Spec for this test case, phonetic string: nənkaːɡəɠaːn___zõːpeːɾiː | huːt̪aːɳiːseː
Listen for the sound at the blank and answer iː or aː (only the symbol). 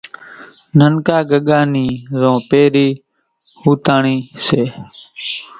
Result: iː